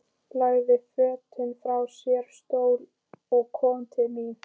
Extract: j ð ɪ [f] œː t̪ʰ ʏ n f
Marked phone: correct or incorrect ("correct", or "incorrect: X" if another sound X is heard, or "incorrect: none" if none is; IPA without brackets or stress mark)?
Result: correct